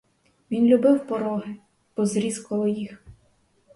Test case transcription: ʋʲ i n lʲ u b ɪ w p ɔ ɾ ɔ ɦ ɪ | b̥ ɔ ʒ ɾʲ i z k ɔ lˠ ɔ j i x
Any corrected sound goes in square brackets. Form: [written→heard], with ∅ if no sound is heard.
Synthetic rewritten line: ʋʲ i n lʲ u b ɪ w p ɔ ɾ ɔ ɦ ɪ | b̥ ɔ [ʒ→z] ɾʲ i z k ɔ lˠ ɔ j i x